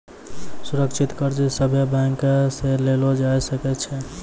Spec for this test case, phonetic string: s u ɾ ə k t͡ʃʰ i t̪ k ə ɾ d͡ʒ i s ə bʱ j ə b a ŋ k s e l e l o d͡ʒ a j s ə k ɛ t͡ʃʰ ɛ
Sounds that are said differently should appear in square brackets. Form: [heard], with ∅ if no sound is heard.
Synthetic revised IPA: s u ɾ ə k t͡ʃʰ i t̪ k ə ɾ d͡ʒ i s ə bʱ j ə b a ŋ k s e l e l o d͡ʒ a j s ə k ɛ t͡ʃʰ ɛ